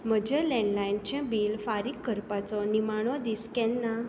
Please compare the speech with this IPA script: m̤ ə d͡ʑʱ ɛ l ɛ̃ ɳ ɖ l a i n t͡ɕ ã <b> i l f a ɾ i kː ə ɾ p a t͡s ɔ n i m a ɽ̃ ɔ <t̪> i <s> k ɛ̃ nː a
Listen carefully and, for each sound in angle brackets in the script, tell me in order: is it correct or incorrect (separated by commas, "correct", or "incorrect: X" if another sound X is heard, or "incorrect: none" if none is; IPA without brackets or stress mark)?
correct, incorrect: d̪, correct